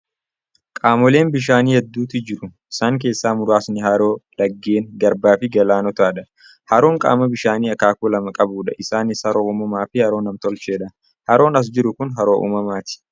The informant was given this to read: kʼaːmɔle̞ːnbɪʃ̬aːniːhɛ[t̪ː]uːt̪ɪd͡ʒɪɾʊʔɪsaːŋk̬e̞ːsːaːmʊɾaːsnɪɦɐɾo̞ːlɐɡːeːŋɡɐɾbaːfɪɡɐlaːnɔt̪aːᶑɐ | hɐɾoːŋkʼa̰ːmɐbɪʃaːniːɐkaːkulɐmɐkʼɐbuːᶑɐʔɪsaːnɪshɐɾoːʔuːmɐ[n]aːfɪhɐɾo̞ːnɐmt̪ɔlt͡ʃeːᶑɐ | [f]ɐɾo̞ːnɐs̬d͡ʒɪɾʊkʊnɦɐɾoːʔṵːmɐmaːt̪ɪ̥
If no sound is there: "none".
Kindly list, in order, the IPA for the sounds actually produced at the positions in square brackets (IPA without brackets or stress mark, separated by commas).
d̪ː, m, h